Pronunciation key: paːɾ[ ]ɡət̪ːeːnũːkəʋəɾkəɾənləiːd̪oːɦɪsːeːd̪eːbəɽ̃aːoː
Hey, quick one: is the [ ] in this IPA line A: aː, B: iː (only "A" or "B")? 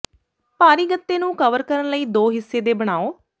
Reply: B